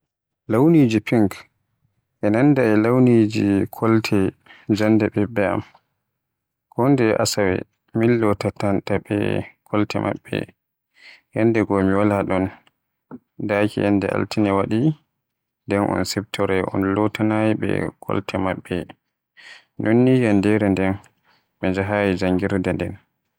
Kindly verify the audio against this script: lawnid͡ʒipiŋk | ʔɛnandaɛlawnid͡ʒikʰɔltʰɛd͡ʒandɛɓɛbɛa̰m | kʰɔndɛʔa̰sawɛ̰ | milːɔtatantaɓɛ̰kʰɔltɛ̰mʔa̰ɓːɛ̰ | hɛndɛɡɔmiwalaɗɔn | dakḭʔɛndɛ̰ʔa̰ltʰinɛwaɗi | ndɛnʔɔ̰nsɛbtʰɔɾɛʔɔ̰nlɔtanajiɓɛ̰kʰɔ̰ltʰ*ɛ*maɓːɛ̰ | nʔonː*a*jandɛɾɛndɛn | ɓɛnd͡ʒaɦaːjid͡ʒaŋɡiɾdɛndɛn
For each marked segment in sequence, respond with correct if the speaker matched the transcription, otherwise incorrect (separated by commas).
correct, incorrect